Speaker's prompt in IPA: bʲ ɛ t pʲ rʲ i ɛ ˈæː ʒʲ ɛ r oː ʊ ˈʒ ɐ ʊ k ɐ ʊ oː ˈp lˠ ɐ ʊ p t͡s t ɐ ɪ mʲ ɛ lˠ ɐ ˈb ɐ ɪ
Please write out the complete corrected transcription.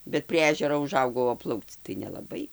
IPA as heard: bʲ ɛ t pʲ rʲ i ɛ ˈæː ʒʲ ɛ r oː ʊ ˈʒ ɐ ʊ ɡ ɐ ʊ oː ˈp lˠ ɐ ʊ k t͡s t ɐ ɪ nʲ ɛ lˠ ɐ ˈb ɐ ɪ